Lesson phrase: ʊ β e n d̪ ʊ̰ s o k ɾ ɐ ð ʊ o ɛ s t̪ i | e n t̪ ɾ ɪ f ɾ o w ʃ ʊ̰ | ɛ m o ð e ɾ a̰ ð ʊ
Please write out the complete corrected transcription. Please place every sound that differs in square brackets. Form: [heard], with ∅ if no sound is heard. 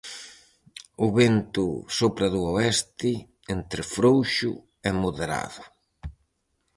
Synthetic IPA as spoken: ʊ β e n [t̪] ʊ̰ s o [p] ɾ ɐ ð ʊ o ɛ s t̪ [ɪ] | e n t̪ ɾ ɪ f ɾ o w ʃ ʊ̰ | ɛ m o ð e ɾ a̰ ð ʊ